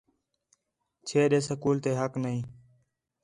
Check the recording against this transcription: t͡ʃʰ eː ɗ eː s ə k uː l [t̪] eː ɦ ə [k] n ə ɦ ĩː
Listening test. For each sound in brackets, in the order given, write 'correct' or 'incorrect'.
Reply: correct, correct

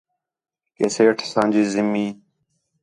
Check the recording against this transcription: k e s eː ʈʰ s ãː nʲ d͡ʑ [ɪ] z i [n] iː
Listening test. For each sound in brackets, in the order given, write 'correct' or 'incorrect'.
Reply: incorrect: i, incorrect: m

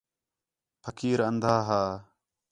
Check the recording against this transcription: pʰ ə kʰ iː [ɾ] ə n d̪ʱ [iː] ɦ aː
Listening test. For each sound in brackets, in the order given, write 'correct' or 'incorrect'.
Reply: correct, incorrect: aː

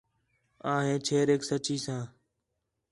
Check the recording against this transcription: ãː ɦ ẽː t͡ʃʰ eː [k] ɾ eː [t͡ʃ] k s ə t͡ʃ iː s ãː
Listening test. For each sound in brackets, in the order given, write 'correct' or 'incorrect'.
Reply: incorrect: none, incorrect: none

